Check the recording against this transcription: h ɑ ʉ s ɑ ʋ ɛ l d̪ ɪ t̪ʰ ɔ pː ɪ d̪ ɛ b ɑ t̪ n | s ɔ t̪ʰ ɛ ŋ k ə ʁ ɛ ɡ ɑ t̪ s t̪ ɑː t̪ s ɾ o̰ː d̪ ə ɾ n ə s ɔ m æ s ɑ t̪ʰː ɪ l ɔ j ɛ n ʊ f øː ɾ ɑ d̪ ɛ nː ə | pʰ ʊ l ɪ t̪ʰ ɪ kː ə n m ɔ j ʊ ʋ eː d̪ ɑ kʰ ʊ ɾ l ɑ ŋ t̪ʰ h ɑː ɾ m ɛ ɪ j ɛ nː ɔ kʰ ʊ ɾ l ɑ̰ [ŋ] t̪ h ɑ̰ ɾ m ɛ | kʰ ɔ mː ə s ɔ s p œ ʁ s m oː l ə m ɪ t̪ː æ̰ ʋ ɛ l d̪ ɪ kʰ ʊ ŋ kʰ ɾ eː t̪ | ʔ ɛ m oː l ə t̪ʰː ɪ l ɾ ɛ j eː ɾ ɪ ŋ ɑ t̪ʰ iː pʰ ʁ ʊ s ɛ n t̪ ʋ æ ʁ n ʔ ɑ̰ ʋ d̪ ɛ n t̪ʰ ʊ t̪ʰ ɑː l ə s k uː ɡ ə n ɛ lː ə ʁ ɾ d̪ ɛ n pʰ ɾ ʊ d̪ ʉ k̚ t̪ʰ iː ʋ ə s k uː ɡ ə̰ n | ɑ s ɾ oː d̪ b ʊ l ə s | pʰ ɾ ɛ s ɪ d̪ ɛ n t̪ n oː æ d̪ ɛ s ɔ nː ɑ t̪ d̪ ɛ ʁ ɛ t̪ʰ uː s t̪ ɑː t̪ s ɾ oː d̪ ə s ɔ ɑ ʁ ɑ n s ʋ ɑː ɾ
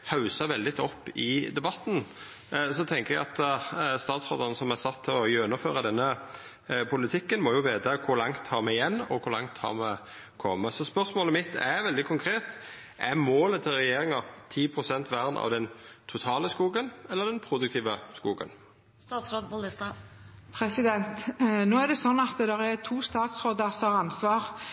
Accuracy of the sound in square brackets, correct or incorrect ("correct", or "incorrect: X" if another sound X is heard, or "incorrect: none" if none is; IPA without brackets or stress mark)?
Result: correct